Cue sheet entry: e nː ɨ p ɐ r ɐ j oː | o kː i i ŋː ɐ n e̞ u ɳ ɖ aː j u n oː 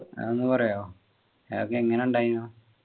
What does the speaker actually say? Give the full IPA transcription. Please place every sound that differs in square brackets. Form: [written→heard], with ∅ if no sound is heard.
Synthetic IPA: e nː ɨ p ɐ r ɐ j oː | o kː [i→e] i ŋː ɐ n e̞ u ɳ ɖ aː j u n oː

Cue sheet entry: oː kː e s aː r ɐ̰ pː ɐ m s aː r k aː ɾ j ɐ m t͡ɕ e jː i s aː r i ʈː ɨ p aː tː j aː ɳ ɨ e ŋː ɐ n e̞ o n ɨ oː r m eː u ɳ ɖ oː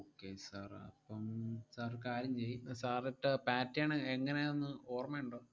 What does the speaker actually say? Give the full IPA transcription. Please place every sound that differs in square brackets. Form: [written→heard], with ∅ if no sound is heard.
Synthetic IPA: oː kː e s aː r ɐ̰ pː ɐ m s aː r k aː ɾ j ɐ m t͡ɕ e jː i s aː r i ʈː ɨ p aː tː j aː ɳ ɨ e ŋː ɐ n e̞ o [n→nː] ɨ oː r m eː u ɳ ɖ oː

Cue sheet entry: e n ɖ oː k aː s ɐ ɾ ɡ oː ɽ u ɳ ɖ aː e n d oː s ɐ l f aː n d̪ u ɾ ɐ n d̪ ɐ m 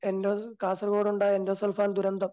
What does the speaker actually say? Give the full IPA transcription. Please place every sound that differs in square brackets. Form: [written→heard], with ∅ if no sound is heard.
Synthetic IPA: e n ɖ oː k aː s ɐ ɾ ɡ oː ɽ u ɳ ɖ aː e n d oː s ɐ l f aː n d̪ u ɾ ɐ n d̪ ɐ m

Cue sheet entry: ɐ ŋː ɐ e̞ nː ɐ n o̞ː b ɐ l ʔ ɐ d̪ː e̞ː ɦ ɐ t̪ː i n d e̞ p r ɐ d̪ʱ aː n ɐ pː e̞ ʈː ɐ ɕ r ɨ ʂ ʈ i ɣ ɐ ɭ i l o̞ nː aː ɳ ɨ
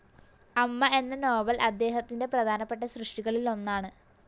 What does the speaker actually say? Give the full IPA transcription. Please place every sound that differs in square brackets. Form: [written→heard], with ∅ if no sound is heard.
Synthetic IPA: ɐ [ŋː→mː] ɐ e̞ nː ɐ n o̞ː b ɐ l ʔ ɐ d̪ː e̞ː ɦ ɐ t̪ː i n d e̞ p r ɐ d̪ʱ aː n ɐ pː e̞ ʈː ɐ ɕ r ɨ ʂ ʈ i ɣ ɐ ɭ i l o̞ nː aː ɳ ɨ

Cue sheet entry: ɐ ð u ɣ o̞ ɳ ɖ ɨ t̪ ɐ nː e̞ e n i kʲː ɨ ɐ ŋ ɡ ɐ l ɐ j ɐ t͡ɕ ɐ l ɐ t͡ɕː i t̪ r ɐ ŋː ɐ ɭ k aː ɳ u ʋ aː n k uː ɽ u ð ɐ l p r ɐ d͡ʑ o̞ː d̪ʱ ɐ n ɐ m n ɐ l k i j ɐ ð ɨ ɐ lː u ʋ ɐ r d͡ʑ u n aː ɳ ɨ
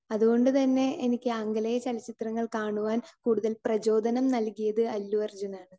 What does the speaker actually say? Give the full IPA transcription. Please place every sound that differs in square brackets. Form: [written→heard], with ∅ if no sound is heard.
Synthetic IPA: ɐ ð u ɣ o̞ ɳ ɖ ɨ t̪ ɐ nː e̞ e n i kʲː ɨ ɐ ŋ ɡ ɐ l ɐ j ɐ t͡ɕ ɐ l ɐ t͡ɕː i t̪ r ɐ ŋː ɐ ɭ k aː ɳ u ʋ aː n k uː ɽ u ð ɐ l p r ɐ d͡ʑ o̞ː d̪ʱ ɐ n ɐ m n ɐ l k i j ɐ ð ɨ ɐ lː u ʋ ɐ r d͡ʑ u n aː ɳ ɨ

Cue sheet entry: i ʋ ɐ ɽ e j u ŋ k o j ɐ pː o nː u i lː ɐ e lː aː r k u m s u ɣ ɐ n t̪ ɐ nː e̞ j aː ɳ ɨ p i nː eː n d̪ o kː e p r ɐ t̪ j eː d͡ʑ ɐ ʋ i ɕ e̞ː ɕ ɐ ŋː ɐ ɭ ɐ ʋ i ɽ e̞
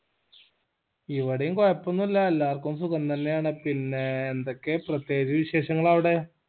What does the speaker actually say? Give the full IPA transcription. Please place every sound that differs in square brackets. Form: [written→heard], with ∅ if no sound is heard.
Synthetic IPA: i ʋ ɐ ɽ e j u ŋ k o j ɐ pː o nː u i lː ɐ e lː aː r k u m s u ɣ ɐ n t̪ ɐ nː e̞ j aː ɳ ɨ p i nː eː n d̪ o kː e p r ɐ t̪ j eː d͡ʑ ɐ ʋ i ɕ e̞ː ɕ ɐ ŋː ɐ ɭ ɐ ʋ i ɽ e̞

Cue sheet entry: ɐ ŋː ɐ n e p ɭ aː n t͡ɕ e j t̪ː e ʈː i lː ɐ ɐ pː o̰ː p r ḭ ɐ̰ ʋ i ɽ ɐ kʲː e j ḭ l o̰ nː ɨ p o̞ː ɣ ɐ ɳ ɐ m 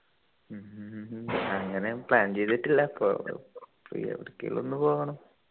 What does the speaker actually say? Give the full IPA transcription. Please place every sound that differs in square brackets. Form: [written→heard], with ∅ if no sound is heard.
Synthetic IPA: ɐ ŋː ɐ n e p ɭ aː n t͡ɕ e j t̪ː [e→i] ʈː i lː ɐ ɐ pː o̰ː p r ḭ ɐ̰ ʋ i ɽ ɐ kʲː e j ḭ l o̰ nː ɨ p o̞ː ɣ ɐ ɳ ɐ m

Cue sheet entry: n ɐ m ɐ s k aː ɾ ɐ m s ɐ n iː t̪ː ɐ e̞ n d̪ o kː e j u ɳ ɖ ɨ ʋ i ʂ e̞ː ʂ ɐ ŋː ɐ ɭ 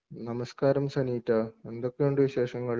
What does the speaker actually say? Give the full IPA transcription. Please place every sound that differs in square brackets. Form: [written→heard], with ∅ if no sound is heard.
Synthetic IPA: n ɐ m ɐ s k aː ɾ ɐ m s ɐ n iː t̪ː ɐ e̞ n d̪ o kː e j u ɳ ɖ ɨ ʋ i [ʂ→ɕ] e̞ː ʂ ɐ ŋː ɐ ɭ

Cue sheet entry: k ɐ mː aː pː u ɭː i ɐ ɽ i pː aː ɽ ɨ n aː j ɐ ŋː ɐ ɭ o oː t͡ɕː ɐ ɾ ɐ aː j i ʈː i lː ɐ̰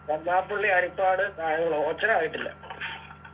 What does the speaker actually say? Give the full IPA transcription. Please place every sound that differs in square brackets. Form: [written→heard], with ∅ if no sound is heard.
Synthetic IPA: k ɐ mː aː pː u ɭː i ɐ [ɽ→ɾ] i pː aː ɽ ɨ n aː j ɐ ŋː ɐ ɭ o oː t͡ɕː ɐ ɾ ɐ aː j i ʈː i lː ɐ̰

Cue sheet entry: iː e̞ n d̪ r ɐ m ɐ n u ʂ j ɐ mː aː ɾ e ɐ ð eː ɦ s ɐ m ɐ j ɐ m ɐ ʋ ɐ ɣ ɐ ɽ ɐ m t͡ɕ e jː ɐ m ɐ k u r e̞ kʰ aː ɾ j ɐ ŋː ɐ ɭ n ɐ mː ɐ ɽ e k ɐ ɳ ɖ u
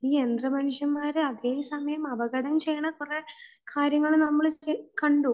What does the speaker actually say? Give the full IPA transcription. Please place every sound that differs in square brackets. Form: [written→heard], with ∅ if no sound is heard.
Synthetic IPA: iː e̞ n d̪ r ɐ m ɐ n u ʂ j ɐ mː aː ɾ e ɐ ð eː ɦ s ɐ m ɐ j ɐ m ɐ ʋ ɐ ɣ ɐ ɽ ɐ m t͡ɕ e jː ɐ [m→ɳ] ɐ k u r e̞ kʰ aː ɾ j ɐ ŋː ɐ ɭ n ɐ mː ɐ [ɽ→ɭ] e k ɐ ɳ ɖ u

